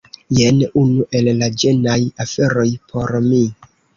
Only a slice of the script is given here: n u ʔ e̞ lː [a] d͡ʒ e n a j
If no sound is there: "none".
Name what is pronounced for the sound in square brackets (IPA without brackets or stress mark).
a